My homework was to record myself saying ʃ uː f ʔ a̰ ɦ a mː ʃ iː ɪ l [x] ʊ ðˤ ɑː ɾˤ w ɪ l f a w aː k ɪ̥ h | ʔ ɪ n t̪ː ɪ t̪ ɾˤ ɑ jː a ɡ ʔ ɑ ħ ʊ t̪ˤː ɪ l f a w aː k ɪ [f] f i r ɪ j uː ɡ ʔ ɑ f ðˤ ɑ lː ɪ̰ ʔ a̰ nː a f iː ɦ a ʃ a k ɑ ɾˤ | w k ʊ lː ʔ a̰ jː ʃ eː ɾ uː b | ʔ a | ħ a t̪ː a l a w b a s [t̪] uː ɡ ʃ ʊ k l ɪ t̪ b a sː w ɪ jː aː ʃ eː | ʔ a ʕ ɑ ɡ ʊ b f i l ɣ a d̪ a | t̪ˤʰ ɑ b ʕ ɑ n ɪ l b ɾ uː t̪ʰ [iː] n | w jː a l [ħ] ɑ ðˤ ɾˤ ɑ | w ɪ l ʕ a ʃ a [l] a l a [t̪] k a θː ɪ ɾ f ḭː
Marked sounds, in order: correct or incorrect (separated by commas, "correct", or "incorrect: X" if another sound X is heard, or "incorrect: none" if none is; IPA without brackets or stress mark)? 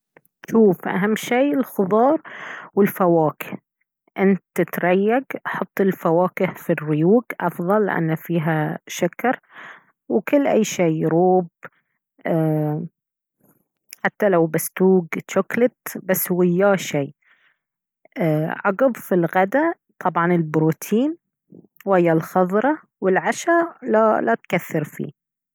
correct, incorrect: h, correct, correct, incorrect: x, correct, correct